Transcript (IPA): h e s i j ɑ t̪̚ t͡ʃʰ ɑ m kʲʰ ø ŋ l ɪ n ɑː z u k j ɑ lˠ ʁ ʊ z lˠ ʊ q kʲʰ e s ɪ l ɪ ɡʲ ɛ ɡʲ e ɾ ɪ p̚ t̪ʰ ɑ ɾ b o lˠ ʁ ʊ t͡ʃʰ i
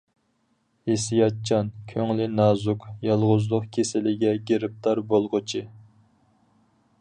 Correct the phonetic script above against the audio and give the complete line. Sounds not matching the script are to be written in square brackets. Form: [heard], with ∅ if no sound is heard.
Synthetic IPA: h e s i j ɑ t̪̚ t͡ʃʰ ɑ [n] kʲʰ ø ŋ l ɪ n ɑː z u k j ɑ lˠ ʁ ʊ z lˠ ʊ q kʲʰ e s ɪ l ɪ ɡʲ ɛ ɡʲ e ɾ ɪ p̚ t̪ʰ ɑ ɾ b o lˠ ʁ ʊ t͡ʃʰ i